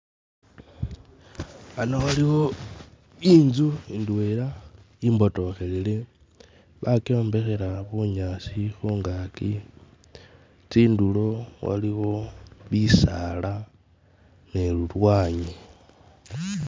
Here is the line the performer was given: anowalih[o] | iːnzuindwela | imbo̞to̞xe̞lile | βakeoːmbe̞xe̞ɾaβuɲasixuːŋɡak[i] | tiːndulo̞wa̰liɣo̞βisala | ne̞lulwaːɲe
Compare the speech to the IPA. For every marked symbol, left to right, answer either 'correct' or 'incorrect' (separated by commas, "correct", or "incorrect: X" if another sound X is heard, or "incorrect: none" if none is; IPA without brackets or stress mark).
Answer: correct, correct